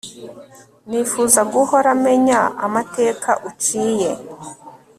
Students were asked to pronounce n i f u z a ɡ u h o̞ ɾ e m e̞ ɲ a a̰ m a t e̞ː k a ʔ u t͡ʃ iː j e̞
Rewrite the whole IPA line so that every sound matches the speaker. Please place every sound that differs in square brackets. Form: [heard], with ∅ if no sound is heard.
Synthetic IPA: n i f u z a ɡ u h o̞ ɾ [a] m e̞ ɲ a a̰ m a t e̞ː k a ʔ u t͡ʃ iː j e̞